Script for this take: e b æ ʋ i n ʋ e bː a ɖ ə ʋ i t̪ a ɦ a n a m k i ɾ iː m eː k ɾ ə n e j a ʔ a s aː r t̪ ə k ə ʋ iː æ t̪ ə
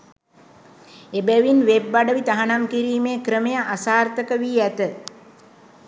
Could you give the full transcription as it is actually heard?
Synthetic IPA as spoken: e b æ ʋ i n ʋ e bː a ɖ ə ʋ i t̪ a ɦ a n a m k i ɾ iː m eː k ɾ ə m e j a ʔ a s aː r t̪ ə k ə ʋ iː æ t̪ ə